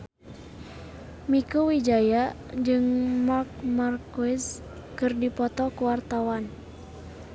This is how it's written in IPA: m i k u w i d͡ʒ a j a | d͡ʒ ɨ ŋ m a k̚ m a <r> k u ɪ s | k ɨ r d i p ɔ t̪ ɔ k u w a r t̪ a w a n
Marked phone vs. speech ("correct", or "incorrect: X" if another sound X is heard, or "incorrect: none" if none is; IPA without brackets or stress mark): correct